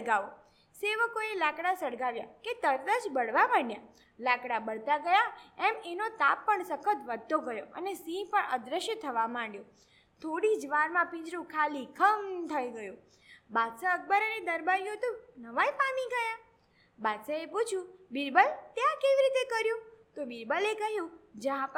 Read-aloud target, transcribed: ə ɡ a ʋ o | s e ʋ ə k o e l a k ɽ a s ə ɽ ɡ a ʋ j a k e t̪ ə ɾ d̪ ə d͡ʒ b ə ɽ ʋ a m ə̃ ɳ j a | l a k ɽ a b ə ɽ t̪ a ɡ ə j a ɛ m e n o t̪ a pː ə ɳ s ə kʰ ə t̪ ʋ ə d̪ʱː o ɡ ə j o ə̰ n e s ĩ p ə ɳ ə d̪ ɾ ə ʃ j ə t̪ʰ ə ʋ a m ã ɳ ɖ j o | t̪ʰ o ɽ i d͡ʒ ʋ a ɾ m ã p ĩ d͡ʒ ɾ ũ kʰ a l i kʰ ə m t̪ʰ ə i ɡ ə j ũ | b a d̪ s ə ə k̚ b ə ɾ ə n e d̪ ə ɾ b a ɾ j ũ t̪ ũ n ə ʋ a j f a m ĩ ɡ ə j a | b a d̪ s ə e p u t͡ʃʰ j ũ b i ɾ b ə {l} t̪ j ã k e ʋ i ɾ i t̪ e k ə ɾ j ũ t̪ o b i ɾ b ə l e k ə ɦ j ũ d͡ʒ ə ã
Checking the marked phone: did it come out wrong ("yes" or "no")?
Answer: no